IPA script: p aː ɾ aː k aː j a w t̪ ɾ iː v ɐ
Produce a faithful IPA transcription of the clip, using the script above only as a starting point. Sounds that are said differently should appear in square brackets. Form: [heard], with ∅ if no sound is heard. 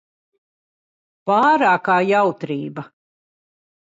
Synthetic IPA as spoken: p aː ɾ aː k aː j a w t̪ ɾ iː [b] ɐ